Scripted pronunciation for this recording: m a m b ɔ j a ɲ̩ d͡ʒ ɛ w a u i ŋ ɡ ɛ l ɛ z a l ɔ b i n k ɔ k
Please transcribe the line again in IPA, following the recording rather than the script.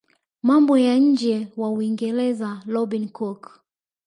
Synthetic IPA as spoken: m a m b ɔ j a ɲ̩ d͡ʒ ɛ w a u i ŋ ɡ ɛ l ɛ z a l ɔ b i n k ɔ k